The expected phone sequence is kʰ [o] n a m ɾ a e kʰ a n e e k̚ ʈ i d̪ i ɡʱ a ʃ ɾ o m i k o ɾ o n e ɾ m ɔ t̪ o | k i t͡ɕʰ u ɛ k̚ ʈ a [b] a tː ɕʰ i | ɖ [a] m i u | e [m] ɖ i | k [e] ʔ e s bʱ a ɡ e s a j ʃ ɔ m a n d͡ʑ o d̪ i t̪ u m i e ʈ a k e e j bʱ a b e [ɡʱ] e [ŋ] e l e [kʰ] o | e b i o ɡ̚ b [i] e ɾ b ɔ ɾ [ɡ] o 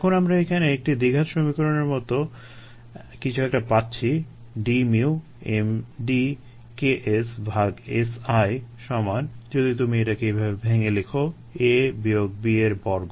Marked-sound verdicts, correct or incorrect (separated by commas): correct, incorrect, incorrect, correct, correct, incorrect, correct, correct, correct, correct